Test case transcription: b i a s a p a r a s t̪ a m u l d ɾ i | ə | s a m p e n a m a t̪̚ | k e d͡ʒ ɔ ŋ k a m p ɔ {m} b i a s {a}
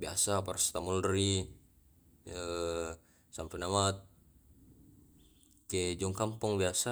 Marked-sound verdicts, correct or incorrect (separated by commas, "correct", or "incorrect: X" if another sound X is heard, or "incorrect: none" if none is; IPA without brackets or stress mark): incorrect: ŋ, correct